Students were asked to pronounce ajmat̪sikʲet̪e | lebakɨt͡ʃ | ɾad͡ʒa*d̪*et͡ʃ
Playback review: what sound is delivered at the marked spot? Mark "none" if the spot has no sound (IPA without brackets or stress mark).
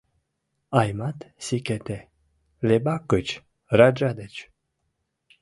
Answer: d̪